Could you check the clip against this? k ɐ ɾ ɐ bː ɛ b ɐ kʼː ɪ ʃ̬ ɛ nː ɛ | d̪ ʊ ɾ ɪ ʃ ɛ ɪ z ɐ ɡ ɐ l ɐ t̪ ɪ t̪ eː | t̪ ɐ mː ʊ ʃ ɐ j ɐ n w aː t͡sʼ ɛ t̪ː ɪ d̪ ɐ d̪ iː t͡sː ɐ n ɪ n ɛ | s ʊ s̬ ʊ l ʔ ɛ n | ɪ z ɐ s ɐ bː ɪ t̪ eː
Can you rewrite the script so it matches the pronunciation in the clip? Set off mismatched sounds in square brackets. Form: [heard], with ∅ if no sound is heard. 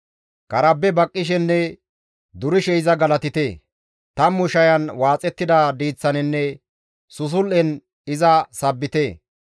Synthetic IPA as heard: k ɐ ɾ ɐ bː ɛ b ɐ kʼː ɪ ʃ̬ ɛ nː ɛ | d̪ ʊ ɾ ɪ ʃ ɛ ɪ z ɐ ɡ ɐ l ɐ t̪ ɪ t̪ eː | t̪ ɐ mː ʊ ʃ ɐ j ɐ n w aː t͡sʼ ɛ t̪ː ɪ d̪ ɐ d̪ iː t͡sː ɐ n ɪ [nː] ɛ | s ʊ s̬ ʊ l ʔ ɛ n | ɪ z ɐ s ɐ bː ɪ t̪ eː